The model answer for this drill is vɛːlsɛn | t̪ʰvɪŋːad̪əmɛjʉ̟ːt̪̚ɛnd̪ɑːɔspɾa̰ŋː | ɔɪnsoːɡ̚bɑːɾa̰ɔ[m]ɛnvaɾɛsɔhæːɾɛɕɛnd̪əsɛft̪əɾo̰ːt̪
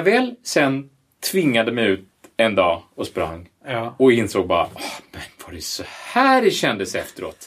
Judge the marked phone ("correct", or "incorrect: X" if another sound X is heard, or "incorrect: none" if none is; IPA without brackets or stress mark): correct